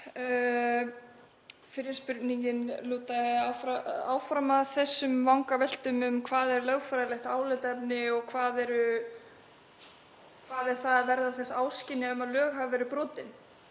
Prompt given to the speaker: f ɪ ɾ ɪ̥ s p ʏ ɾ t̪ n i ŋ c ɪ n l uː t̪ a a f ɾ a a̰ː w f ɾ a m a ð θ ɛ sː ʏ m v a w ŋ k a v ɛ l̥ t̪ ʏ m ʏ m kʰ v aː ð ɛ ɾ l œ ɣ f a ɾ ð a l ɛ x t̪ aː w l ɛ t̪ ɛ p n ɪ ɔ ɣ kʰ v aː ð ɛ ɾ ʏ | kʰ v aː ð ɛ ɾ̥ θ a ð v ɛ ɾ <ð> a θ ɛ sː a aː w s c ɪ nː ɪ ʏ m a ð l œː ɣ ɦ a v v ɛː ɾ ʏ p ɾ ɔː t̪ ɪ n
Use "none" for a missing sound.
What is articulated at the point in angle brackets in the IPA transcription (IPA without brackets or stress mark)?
ð